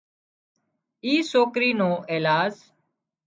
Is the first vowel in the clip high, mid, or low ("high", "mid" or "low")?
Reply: high